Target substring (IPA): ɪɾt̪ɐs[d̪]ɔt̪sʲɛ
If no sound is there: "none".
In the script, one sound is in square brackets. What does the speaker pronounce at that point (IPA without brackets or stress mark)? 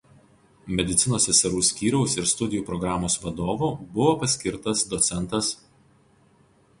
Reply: d̪